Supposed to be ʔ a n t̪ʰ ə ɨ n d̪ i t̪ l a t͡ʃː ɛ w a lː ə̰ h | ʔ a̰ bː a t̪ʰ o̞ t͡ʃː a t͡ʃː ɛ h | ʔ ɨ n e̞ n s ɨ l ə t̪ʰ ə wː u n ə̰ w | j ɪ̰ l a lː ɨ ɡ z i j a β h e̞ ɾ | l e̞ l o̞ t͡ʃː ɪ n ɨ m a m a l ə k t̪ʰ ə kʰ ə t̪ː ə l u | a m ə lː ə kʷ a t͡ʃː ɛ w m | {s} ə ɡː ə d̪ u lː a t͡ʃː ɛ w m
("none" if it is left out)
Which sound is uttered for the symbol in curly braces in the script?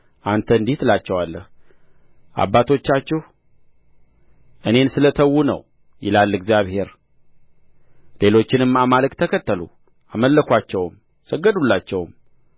s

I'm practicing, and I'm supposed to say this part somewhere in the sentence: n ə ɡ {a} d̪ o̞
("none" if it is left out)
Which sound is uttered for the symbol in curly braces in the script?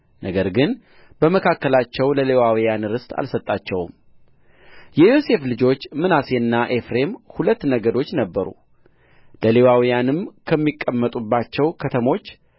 ə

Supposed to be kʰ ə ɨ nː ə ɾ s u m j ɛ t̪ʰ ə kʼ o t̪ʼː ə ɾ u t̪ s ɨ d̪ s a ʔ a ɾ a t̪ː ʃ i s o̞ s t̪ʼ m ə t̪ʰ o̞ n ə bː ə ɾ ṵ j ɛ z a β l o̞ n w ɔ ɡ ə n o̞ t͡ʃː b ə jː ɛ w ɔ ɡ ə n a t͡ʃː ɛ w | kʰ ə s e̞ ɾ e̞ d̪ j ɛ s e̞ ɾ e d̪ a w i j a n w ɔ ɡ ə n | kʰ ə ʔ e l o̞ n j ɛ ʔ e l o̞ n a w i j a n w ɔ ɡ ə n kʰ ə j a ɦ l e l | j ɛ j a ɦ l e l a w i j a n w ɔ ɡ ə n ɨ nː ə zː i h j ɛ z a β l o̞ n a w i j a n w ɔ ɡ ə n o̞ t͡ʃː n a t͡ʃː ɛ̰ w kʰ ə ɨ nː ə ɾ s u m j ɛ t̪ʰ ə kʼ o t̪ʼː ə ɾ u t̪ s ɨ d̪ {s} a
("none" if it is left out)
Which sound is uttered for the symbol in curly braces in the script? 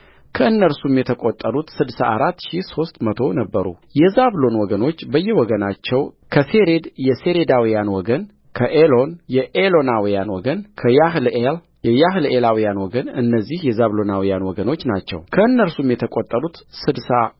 s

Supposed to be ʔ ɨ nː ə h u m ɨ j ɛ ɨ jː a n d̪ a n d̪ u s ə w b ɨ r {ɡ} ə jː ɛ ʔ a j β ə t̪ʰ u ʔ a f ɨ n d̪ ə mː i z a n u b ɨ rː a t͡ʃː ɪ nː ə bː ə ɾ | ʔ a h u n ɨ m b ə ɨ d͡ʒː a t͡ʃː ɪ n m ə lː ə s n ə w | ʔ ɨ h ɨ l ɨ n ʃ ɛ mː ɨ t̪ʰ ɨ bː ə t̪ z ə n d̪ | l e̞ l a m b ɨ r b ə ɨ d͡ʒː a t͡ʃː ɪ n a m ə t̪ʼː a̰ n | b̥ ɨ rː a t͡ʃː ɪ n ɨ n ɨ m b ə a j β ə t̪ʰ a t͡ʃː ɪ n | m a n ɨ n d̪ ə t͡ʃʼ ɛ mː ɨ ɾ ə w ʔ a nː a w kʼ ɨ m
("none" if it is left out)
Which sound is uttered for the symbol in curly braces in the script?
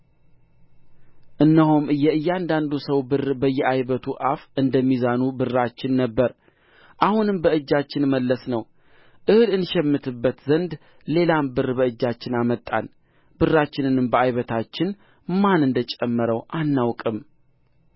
b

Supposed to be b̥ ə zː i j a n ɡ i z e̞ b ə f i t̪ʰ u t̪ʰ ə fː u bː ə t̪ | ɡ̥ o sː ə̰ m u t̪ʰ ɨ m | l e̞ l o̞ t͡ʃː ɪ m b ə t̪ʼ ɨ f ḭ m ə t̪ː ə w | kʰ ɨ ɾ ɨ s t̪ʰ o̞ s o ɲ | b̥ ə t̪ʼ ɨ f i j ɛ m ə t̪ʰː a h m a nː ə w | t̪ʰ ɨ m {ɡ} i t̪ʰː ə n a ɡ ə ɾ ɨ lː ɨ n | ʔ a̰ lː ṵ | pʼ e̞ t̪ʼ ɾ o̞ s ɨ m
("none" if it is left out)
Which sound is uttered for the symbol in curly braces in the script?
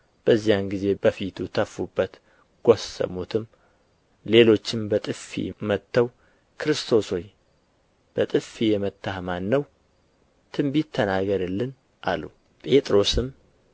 b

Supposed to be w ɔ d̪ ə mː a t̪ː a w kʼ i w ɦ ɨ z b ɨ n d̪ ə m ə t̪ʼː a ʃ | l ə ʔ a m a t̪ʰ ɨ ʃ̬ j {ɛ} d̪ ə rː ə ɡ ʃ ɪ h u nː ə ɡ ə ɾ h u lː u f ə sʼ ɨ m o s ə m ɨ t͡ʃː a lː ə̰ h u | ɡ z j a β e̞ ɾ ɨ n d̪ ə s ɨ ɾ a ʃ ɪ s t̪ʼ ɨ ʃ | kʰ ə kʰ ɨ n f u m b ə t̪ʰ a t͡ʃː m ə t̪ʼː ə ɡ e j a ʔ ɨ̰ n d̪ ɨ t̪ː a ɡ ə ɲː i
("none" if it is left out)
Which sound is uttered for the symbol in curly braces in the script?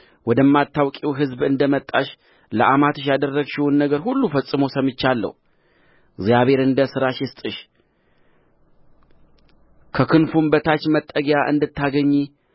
a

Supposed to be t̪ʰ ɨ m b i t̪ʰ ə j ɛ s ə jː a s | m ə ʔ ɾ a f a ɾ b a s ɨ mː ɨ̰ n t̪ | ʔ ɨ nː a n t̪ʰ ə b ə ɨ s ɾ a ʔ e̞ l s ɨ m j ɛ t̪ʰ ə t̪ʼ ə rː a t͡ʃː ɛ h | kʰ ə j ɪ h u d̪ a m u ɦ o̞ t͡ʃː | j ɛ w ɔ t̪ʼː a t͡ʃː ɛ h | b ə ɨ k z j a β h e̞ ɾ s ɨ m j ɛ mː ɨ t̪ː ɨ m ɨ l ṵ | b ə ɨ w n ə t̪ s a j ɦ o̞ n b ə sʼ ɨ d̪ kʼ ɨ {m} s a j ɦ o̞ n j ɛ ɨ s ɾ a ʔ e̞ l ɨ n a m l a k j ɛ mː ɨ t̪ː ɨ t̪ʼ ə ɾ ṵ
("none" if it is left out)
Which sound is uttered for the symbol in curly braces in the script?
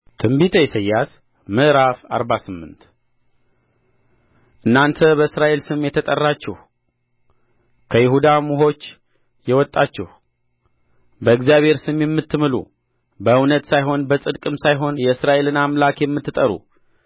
m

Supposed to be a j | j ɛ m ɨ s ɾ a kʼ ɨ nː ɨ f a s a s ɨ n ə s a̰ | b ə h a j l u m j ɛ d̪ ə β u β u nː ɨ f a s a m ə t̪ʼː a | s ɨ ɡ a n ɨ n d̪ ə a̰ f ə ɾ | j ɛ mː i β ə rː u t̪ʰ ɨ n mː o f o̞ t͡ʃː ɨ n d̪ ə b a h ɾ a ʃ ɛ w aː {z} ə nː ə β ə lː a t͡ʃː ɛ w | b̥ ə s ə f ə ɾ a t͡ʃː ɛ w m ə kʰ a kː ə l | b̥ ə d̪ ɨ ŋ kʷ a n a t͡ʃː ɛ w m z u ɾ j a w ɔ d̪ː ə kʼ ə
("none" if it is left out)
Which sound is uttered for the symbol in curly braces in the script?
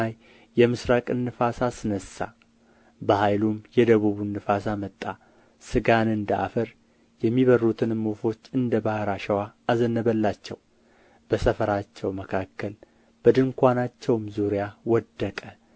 z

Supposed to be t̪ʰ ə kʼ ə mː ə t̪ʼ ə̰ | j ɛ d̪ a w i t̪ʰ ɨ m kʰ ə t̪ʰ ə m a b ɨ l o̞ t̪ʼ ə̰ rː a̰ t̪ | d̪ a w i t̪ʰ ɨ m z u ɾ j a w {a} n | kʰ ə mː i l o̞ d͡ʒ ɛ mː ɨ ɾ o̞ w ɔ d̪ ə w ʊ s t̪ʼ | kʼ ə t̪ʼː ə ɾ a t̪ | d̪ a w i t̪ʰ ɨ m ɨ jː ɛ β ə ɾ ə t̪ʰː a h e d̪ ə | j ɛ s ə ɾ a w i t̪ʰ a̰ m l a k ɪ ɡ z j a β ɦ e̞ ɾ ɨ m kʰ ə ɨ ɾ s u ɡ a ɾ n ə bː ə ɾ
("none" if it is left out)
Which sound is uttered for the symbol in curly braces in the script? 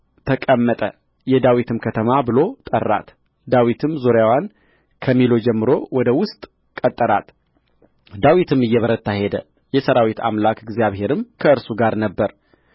a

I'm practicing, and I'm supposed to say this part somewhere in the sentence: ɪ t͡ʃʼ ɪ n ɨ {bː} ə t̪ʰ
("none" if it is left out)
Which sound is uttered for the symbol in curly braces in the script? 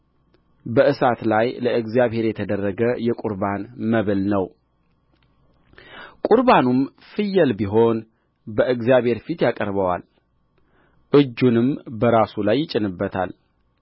bː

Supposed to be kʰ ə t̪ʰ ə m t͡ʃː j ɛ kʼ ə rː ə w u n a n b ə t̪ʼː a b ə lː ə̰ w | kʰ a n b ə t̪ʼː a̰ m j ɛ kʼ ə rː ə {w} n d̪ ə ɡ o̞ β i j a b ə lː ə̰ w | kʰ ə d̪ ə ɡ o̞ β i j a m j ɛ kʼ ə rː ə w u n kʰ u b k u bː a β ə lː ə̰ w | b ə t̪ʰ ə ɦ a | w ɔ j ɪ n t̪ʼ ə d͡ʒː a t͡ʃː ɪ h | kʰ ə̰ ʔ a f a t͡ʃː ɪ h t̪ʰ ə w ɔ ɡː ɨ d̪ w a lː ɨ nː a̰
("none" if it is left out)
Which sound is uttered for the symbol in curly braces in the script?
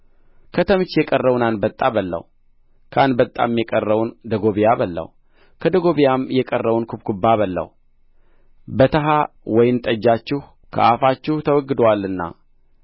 w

